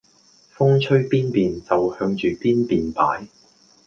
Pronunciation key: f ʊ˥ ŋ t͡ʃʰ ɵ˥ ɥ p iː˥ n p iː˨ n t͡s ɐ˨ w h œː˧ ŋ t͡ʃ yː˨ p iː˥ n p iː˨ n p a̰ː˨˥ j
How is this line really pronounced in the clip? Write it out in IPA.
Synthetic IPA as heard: f ʊ˥ ŋ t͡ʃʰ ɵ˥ ɥ p iː˥ n p iː˨ n t͡s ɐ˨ w h œː˧ ŋ t͡ʃ yː˨ p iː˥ n p iː˨ n p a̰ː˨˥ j